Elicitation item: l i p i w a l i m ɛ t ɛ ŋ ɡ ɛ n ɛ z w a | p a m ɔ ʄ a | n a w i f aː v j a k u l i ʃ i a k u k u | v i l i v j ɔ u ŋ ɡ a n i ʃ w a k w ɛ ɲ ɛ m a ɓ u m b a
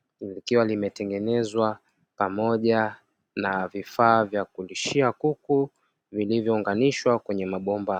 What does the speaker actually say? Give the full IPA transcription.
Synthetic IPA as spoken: l i k i w a l i m ɛ t ɛ ŋ ɡ ɛ n ɛ z w a | p a m ɔ ʄ a | n a v i f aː v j a k u l i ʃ i a k u k u | v i l i v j ɔ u ŋ ɡ a n i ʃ w a k w ɛ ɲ ɛ m a ɓ ɔ m b a